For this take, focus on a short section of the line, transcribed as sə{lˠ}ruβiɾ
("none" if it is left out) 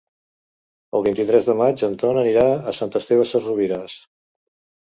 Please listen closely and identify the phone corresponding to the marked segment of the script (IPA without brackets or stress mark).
none